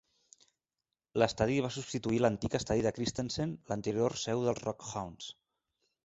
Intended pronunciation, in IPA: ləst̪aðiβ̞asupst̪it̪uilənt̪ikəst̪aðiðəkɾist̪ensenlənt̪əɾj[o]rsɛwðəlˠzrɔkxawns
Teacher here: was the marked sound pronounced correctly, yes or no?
yes